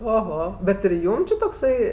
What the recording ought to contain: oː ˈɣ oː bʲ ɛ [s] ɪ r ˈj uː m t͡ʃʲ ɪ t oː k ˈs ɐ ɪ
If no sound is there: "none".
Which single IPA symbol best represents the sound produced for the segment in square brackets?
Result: t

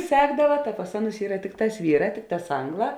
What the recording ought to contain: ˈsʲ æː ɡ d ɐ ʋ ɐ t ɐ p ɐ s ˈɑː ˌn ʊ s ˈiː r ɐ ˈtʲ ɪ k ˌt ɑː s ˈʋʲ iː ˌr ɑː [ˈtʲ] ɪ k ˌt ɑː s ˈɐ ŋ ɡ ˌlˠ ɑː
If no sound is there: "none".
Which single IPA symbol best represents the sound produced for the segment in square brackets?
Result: tʲ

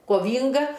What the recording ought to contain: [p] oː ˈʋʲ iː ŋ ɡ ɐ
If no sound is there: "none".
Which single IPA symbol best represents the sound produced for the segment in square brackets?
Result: k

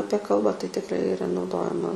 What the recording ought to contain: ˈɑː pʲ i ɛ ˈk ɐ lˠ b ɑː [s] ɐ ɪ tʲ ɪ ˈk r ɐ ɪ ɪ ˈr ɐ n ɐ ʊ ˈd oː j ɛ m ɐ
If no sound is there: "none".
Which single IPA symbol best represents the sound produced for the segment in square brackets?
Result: t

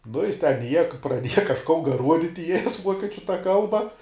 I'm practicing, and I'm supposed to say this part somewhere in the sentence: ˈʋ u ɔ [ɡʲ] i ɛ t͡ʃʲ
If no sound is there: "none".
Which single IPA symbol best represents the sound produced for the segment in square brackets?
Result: kʲ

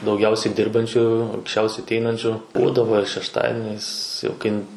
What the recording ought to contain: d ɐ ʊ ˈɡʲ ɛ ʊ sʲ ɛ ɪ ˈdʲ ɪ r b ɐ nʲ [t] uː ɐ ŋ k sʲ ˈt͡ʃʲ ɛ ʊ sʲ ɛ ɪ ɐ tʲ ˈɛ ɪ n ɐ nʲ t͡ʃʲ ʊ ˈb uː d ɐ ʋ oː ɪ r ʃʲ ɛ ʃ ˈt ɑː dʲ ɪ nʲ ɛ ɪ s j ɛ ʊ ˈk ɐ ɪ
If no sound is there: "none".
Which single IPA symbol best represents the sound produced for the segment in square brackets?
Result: t͡ʃʲ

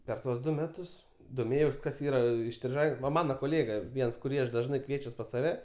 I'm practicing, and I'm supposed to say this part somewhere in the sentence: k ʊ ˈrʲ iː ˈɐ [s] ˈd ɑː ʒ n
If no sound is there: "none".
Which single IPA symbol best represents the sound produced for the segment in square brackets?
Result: ʃ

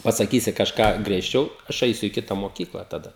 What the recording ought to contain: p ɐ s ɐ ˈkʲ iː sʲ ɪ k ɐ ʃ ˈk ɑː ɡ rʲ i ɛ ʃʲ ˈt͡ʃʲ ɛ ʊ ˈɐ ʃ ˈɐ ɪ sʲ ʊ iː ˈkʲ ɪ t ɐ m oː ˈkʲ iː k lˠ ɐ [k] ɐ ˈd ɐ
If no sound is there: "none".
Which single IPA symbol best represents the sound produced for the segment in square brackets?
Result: t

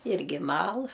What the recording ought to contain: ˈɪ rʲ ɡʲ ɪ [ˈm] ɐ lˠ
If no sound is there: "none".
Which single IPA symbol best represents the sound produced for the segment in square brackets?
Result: m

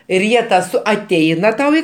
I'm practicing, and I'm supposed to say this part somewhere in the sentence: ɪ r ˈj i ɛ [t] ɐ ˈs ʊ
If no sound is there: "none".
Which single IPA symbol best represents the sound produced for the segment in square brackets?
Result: t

